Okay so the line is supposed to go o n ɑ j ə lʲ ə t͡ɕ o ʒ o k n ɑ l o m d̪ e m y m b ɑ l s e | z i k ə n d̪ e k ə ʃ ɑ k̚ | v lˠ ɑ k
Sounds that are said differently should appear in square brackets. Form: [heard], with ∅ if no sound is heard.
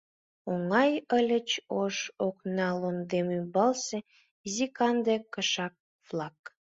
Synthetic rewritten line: o [ŋ] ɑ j ə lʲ ə t͡ɕ o [ʃ] o k n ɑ l o [n] d̪ e m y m b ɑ l s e | z i k [ɑ] n d̪ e k ə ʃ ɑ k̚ | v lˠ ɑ k